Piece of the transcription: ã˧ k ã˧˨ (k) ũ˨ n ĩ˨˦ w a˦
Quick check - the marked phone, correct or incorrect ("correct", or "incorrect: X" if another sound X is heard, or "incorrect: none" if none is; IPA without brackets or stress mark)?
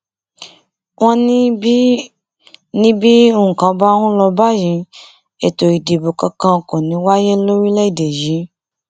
correct